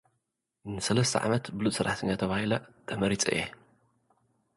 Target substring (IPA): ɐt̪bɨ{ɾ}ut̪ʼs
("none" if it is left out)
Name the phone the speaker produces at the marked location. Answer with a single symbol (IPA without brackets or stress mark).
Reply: l